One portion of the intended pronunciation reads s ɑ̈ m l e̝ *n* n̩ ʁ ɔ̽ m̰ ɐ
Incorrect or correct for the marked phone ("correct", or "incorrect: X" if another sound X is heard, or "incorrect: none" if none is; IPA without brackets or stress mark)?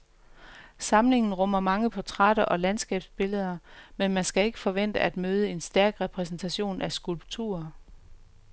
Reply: incorrect: ŋ